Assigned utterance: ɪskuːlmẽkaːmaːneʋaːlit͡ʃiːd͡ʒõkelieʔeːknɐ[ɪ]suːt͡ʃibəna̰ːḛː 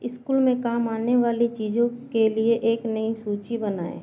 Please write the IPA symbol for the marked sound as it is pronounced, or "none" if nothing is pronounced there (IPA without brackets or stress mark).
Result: i